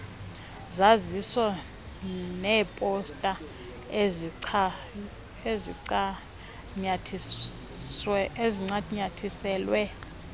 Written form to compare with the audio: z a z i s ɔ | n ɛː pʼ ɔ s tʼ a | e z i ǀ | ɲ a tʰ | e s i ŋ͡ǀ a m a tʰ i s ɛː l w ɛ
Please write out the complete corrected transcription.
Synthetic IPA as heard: z a z i s ɔ | n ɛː pʼ ɔ s tʼ a | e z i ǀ | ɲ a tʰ | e z i ŋ͡ǀ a ɲ a tʰ i s ɛː l w ɛ